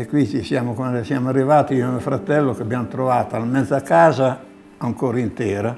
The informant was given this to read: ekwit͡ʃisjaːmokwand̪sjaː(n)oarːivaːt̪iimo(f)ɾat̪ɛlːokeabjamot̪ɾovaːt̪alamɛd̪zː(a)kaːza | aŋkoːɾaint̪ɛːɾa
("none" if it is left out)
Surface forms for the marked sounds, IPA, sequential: m, f, a

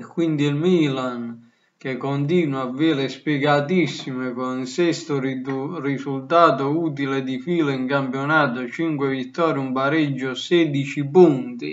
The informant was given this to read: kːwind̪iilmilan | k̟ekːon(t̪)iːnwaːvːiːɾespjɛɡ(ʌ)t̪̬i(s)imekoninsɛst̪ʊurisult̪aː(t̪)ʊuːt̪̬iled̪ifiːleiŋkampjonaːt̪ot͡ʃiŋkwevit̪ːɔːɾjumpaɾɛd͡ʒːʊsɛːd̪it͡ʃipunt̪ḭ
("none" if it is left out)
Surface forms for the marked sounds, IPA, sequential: t̪, a, sː, t̪

